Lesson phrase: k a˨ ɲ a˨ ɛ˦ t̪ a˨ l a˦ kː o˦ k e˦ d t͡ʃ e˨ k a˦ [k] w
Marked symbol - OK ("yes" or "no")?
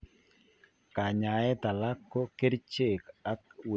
yes